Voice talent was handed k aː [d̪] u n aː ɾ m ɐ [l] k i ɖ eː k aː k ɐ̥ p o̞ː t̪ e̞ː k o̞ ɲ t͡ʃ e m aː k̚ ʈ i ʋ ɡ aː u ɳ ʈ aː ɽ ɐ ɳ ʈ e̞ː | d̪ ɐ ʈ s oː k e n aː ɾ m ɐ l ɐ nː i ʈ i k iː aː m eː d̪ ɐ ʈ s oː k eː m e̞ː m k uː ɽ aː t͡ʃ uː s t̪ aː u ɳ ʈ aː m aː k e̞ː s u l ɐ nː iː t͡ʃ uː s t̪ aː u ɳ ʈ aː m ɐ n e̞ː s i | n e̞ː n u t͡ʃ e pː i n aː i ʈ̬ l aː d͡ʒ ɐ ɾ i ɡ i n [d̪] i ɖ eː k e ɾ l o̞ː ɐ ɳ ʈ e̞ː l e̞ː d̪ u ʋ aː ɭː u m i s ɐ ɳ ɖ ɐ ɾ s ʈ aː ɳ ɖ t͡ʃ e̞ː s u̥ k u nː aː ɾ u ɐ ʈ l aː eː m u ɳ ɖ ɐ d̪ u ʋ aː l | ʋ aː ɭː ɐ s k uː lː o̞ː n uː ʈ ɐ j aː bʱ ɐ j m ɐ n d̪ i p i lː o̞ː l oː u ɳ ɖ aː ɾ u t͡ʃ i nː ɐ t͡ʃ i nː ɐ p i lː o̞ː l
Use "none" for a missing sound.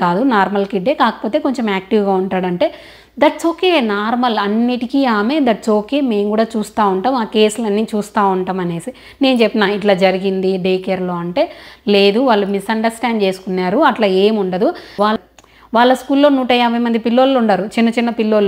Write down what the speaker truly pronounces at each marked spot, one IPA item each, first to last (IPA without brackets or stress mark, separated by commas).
d̪, l, d̪